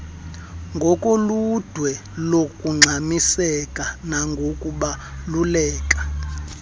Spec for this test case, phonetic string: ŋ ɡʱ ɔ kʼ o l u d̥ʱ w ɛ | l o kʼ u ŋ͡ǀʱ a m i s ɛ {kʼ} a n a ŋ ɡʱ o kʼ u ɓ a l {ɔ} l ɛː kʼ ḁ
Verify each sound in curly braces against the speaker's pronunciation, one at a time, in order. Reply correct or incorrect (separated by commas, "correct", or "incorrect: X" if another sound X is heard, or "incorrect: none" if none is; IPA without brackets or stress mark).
correct, incorrect: u